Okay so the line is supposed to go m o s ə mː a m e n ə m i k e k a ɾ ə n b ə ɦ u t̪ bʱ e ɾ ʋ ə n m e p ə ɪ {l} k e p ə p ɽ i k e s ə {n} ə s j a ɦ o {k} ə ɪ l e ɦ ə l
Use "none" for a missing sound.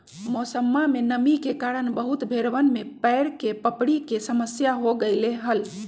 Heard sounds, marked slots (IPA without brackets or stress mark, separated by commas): ɾ, m, ɡ